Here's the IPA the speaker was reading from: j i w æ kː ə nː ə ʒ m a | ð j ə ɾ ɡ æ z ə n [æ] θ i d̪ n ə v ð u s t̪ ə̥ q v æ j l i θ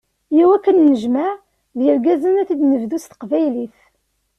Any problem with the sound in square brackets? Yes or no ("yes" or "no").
no